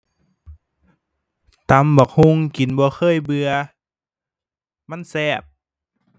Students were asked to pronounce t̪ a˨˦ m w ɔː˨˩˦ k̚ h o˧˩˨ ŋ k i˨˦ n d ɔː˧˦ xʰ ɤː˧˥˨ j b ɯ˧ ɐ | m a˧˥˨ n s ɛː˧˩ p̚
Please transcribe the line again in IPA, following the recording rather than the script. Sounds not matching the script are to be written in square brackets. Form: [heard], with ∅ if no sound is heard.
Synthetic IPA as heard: t̪ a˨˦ m [b] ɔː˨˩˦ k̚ h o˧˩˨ ŋ k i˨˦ n [b] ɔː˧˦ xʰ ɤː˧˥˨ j b ɯ˧ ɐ | m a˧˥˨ n s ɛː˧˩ p̚